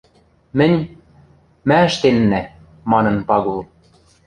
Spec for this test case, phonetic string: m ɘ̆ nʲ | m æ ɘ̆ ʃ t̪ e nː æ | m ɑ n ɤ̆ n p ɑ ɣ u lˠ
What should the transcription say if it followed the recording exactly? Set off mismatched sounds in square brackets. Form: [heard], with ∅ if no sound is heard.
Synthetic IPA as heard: m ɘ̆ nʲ | m æ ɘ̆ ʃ t̪ e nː æ | m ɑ n ɤ̆ n p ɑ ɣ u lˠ